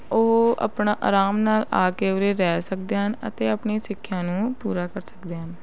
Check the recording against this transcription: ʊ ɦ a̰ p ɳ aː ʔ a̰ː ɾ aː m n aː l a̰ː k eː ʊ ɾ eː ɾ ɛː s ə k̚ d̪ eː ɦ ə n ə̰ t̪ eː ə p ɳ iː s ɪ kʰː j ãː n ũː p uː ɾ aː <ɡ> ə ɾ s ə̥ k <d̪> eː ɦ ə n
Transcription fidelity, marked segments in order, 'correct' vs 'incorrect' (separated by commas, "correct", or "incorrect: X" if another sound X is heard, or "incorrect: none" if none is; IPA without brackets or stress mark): incorrect: k, correct